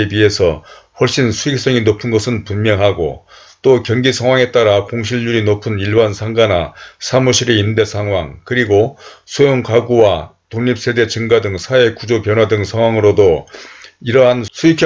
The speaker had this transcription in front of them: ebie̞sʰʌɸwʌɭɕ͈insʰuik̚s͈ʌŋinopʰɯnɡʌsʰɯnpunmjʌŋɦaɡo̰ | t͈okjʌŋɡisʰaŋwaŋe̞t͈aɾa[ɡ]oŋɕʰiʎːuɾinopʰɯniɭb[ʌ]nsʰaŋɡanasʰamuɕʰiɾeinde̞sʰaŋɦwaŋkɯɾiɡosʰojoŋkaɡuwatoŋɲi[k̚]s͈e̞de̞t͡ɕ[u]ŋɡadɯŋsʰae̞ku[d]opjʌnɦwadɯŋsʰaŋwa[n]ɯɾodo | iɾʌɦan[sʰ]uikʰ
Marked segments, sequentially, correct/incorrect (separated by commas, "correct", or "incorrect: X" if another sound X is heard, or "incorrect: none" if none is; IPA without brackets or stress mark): incorrect: k, incorrect: a, incorrect: p̚, incorrect: ɯ, incorrect: d͡ʑ, incorrect: ŋ, correct